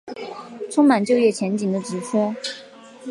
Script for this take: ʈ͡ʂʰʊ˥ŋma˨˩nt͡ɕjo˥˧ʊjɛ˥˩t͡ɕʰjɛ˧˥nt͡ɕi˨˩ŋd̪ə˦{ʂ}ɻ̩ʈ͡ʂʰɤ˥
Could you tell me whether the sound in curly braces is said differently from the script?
yes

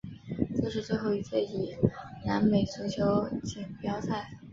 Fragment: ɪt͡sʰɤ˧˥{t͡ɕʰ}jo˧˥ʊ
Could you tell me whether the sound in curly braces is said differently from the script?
no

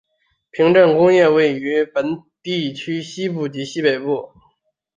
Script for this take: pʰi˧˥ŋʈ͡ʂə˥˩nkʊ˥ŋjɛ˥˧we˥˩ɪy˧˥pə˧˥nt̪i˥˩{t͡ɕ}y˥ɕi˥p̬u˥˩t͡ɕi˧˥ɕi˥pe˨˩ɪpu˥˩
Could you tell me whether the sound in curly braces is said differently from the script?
yes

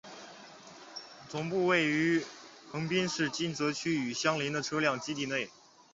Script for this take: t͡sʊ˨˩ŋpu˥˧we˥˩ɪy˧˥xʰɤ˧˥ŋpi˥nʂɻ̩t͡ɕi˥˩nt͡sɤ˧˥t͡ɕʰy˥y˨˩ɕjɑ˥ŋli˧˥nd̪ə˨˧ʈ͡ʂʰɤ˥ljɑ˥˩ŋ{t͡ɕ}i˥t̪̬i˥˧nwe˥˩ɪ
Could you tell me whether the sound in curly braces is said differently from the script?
no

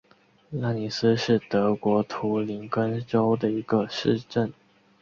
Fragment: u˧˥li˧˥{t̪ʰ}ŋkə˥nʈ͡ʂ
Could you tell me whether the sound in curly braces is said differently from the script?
yes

